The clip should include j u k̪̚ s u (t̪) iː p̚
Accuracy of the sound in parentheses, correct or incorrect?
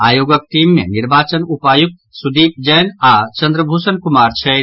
incorrect